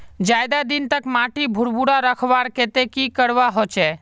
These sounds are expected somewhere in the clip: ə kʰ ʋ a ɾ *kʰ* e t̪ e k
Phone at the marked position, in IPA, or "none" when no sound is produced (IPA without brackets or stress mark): k